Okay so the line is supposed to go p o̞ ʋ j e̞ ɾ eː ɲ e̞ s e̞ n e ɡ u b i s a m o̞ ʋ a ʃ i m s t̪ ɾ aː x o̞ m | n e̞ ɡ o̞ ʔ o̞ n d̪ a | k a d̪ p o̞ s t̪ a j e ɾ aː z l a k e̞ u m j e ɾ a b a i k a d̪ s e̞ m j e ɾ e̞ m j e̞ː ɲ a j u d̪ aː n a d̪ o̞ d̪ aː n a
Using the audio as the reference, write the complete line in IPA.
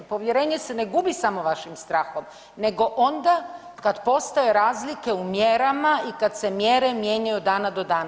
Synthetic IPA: p o̞ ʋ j e̞ ɾ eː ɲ e̞ s e̞ n e ɡ u b i s a m o̞ ʋ a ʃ i m s t̪ ɾ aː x o̞ m | n e̞ ɡ o̞ ʔ o̞ n d̪ a | k a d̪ p o̞ s t̪ a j e ɾ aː z l i k e̞ u m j e ɾ a m a i k a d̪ s e̞ m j e ɾ e̞ m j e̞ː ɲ a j u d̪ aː n a d̪ o̞ d̪ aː n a